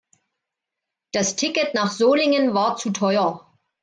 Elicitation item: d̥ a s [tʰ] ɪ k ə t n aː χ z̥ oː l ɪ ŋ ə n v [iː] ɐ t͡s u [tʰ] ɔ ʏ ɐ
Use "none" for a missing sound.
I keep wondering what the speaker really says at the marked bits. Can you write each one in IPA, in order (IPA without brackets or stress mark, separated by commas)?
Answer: tʰ, aː, tʰ